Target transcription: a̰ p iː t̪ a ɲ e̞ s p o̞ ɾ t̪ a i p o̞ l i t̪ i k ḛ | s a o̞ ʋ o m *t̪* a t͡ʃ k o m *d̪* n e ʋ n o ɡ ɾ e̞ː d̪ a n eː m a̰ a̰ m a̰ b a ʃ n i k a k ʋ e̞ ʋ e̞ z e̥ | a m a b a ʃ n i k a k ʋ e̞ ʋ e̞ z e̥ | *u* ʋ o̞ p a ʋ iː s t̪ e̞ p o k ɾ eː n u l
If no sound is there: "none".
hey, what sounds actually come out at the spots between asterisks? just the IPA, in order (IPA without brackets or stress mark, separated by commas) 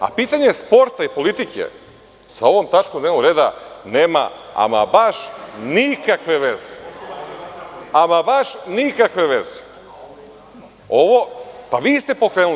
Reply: t̪, d̪, o